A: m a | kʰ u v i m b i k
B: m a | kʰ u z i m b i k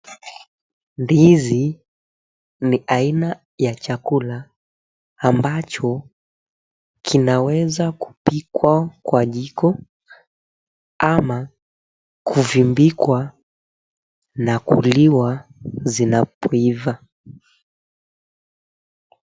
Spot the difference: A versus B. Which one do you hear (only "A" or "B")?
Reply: A